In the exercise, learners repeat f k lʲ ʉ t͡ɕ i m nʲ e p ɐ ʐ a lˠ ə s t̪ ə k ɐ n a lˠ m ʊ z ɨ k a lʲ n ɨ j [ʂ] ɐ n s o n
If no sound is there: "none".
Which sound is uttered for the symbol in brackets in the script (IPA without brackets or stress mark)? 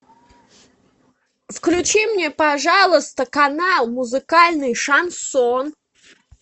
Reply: ʂ